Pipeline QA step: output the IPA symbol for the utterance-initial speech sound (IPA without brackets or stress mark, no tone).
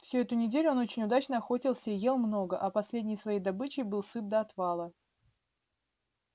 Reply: f